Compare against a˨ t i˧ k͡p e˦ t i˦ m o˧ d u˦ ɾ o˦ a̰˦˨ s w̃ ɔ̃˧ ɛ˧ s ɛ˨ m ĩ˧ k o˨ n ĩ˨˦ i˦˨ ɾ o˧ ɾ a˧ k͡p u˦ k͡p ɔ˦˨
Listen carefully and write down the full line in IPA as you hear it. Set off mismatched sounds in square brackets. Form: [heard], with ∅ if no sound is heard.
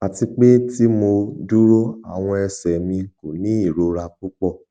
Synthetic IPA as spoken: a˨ t i˧ k͡p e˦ t i˦ m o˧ d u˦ ɾ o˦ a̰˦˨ [∅] w̃ ɔ̃˧ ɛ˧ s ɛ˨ m ĩ˧ k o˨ n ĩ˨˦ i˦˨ ɾ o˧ ɾ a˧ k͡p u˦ k͡p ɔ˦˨